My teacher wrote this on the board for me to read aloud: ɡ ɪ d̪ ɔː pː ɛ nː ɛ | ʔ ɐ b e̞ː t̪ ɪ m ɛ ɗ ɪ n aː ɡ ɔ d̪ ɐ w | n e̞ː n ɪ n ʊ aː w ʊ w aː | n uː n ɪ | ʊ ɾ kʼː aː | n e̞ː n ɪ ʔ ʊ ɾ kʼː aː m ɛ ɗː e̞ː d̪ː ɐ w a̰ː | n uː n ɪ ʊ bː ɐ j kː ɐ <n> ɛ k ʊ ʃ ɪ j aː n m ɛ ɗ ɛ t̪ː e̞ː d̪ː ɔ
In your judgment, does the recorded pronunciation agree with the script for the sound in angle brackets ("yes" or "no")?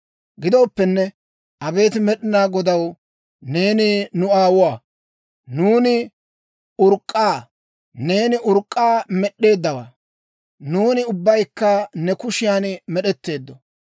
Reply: yes